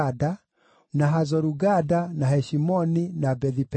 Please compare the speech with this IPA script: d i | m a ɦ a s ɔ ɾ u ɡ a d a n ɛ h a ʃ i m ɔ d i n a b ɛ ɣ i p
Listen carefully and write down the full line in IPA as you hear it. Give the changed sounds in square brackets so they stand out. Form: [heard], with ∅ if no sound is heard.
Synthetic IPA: d [a] | [n] a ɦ a [z] ɔ ɾ u ɡ a d a n [a] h [ɛ] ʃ i m ɔ [n] i n a b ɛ [ð] i p